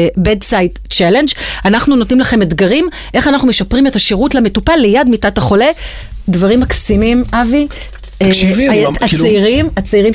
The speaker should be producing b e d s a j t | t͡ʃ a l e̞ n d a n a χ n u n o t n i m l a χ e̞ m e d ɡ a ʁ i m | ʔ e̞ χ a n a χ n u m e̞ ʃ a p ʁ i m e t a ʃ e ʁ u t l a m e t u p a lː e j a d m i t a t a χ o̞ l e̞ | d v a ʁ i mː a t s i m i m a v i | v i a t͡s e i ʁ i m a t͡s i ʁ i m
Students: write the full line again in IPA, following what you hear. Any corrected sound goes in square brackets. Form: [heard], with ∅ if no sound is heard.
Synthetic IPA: b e d s a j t | t͡ʃ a l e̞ n [d͡ʒ] a n a χ n u n o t n i m l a χ e̞ m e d ɡ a ʁ i m | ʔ e̞ χ a n a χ n u m e̞ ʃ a p ʁ i m e t a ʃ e ʁ u t l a m e t u p a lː e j a d m i t a t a χ o̞ l e̞ | d v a ʁ i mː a [k] s i m i m a v i | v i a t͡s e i ʁ i m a t͡s i ʁ i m